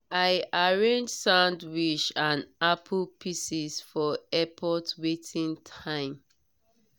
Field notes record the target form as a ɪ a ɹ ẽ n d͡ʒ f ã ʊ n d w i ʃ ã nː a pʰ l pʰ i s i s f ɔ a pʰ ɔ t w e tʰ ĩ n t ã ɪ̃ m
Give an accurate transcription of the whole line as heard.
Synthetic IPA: a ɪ a ɹ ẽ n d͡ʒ s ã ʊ n d w i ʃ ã n a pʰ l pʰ i s i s f ɔ ɛ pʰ ɔ t w e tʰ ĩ n tʰ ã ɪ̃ m

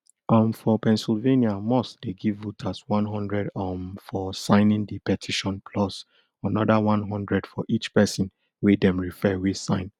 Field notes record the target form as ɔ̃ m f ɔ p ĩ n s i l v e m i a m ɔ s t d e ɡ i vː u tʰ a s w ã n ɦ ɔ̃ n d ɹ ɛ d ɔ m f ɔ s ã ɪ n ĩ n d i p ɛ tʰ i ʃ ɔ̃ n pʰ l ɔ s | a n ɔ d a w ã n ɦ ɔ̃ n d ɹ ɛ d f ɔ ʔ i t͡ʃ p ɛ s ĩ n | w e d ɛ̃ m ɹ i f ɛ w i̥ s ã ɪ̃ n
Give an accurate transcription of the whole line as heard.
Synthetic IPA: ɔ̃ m f ɔ p ɛ̃ n s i l v e n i a m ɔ s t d e ɡ i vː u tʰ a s w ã n ɦ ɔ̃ n d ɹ ɛ d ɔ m f ɔ s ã ɪ n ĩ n d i p ɛ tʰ i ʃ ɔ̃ n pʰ l ɔ s | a n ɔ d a w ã n ɦ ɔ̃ n d ɹ ɛ d f ɔ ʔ i t͡ʃ p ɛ s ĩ n | w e d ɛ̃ m ɹ i f ɛ w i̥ s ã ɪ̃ n

